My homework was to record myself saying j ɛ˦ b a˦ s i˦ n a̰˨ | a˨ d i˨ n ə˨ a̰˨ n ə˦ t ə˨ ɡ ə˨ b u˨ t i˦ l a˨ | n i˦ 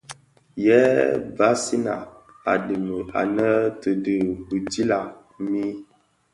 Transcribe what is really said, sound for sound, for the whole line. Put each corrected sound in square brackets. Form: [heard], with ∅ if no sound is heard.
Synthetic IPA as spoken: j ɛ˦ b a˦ s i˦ n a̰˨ | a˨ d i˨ [m] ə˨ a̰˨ n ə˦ t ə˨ [d] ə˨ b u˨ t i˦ l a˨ | [m] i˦